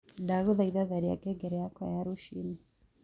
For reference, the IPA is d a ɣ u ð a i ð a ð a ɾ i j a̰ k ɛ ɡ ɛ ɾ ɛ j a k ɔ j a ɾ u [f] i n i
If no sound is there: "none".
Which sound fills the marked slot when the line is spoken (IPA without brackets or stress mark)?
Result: ʃ